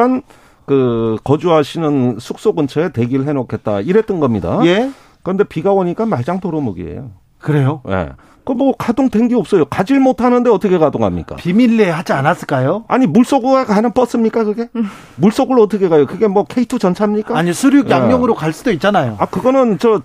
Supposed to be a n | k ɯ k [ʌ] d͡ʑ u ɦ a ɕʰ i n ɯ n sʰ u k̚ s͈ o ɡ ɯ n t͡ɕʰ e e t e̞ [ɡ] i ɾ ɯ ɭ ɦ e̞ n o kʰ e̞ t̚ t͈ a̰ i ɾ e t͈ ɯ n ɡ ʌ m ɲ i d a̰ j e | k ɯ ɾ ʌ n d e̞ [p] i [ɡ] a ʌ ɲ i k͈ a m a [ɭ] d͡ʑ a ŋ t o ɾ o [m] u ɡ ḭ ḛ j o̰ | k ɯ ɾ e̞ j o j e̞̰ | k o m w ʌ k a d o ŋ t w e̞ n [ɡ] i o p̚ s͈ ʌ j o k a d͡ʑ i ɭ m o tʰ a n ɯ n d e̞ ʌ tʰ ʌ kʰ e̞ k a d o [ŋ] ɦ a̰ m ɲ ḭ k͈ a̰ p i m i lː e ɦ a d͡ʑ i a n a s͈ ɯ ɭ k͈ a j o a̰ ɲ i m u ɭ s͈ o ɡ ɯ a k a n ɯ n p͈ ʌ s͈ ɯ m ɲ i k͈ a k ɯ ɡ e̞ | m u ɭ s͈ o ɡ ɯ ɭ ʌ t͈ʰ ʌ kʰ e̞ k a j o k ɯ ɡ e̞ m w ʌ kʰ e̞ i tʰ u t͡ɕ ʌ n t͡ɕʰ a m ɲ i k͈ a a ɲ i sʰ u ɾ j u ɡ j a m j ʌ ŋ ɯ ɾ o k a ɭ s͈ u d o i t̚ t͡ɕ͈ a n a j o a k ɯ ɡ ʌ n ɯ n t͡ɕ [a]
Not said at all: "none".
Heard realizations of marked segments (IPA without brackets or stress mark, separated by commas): ʌ, ɡ, p, ɡ, ɭ, m, ɡ, ŋ, ʌ